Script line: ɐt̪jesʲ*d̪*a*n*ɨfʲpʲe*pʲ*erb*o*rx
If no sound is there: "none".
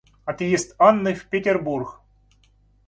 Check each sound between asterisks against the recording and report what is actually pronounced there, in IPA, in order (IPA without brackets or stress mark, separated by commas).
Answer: t̪, nː, tʲ, u